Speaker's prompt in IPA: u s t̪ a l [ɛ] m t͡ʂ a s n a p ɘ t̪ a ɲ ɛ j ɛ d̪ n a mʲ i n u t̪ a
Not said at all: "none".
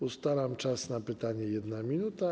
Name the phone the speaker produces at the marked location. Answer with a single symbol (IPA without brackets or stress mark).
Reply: a